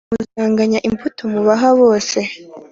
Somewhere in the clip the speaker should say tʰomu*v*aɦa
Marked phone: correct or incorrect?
incorrect